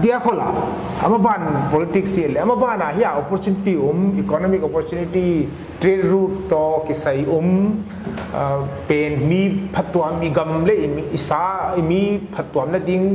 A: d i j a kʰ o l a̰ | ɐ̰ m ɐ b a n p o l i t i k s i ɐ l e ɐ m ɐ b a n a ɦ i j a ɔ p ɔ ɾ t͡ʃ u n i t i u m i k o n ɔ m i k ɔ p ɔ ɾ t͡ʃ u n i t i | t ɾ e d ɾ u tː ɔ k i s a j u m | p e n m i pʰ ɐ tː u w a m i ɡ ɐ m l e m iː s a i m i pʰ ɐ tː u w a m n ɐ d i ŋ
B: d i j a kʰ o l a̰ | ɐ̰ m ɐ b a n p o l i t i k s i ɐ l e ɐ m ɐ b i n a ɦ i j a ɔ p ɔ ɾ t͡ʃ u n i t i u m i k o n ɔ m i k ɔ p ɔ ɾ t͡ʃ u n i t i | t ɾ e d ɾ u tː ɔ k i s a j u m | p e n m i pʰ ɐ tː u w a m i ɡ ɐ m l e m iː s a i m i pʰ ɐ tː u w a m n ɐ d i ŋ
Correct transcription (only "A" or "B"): A